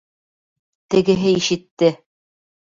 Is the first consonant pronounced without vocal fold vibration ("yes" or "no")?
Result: yes